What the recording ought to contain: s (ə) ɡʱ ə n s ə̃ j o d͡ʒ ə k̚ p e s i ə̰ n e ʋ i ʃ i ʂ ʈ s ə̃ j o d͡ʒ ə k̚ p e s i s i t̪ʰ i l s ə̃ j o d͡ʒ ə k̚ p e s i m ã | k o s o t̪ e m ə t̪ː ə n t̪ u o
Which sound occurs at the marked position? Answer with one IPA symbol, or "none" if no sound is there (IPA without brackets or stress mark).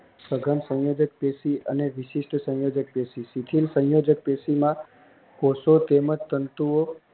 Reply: ə